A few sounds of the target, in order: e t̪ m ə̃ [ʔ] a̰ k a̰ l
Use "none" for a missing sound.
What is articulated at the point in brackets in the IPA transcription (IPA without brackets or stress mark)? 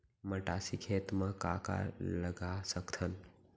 k